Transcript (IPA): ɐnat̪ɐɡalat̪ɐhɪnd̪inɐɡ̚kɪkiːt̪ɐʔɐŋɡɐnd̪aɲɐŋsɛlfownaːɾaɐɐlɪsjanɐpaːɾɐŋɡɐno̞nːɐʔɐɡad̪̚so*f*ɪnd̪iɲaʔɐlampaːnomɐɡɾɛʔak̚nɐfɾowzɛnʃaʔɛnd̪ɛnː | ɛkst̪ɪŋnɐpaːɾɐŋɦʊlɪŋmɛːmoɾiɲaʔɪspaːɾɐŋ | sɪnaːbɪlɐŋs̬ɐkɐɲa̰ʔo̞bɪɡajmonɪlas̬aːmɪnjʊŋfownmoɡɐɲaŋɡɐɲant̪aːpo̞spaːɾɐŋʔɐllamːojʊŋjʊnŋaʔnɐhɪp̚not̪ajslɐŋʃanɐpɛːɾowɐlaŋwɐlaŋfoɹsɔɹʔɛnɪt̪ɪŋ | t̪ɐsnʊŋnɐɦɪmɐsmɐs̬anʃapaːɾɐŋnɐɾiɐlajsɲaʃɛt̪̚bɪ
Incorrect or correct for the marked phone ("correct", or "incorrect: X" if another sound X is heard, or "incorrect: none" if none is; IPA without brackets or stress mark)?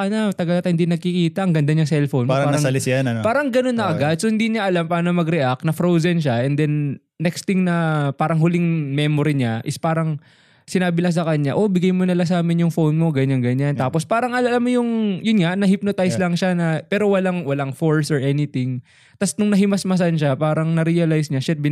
incorrect: h